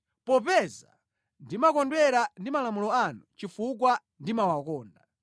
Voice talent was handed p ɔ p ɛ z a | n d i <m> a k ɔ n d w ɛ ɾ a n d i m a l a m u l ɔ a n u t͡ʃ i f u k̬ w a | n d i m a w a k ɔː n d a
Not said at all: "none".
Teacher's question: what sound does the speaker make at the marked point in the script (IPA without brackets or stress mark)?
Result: m